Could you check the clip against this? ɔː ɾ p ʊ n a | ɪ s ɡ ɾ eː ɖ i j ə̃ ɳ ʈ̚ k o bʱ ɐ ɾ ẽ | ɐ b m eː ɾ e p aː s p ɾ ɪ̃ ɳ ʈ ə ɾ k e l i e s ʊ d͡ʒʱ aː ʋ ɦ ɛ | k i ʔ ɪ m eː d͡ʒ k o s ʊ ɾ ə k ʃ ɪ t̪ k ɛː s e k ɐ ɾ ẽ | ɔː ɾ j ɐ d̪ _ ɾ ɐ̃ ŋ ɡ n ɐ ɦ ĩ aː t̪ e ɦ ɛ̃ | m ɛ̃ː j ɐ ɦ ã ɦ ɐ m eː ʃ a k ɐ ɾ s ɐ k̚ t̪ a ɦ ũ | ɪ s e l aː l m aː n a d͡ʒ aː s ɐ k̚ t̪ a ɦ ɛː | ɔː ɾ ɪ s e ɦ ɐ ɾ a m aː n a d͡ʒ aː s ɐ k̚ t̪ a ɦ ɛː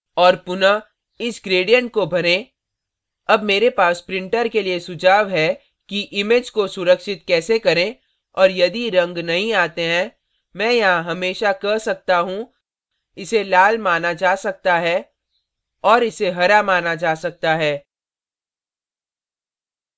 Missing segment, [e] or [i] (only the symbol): i